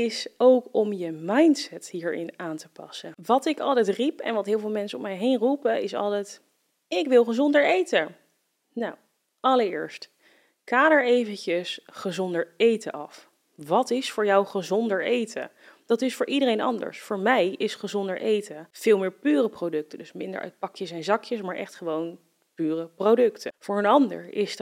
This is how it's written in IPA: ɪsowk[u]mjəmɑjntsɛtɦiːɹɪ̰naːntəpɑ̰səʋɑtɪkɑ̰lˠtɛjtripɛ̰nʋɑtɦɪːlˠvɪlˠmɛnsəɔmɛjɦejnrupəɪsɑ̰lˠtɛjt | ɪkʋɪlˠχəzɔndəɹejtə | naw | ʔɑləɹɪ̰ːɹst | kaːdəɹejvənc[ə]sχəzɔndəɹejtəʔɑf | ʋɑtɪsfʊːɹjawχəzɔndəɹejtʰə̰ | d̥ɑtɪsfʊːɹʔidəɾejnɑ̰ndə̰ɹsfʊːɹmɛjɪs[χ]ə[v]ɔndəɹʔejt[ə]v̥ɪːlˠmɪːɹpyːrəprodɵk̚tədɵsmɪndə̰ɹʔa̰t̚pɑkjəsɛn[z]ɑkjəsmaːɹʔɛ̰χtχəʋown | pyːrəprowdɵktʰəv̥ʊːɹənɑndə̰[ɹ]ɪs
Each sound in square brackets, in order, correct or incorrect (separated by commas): incorrect, correct, correct, incorrect, correct, correct, correct